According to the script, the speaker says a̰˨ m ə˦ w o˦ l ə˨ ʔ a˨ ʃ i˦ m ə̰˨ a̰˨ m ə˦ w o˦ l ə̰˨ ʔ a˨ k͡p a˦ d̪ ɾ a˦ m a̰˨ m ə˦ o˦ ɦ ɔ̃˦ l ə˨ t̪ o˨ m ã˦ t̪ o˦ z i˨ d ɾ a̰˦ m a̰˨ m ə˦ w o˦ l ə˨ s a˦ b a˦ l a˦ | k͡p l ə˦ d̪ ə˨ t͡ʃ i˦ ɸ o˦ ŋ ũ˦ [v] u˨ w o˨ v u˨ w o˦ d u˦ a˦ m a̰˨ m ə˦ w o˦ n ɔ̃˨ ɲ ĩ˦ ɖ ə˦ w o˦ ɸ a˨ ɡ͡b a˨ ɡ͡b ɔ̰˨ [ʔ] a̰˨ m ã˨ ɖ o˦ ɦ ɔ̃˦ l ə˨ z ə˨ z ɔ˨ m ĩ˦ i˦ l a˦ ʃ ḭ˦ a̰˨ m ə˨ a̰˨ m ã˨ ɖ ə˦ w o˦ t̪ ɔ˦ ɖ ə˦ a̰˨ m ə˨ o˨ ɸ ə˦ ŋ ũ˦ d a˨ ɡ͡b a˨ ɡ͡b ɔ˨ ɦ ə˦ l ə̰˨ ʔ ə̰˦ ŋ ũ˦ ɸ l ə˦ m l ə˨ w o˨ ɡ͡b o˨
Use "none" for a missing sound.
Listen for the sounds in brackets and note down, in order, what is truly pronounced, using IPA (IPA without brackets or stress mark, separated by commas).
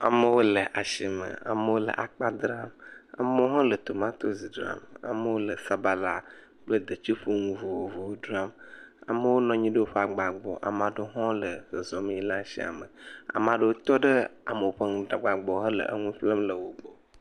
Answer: v, ʔ